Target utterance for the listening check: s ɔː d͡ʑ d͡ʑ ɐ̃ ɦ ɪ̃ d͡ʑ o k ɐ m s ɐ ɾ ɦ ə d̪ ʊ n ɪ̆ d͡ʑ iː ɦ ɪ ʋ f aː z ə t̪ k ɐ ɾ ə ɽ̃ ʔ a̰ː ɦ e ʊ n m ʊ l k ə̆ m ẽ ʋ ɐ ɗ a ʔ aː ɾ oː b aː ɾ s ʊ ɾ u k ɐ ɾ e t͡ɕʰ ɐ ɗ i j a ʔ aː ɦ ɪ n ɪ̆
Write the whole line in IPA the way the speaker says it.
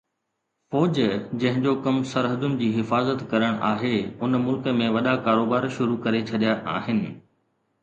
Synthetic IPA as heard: f ɔː d͡ʑ d͡ʑ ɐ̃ ɦ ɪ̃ d͡ʑ o k ɐ m s ɐ ɾ ɦ ə d̪ ʊ n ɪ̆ d͡ʑ iː ɦ ɪ f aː z ə t̪ k ɐ ɾ ə ɽ̃ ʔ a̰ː ɦ e ʊ n m ʊ l k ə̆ m ẽ ʋ ɐ ɗ a k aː ɾ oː b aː ɾ ʃ ʊ ɾ u k ɐ ɾ e t͡ɕʰ ɐ ɗ i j a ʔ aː ɦ ɪ n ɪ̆